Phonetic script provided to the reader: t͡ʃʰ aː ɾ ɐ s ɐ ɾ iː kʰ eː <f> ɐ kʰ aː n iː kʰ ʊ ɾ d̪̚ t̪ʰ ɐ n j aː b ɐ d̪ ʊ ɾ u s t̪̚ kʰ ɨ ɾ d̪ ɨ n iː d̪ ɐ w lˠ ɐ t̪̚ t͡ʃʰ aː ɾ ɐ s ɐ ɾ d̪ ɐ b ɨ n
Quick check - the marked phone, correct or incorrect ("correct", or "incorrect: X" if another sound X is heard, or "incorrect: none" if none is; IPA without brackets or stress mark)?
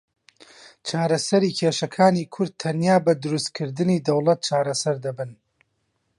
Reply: incorrect: ʃ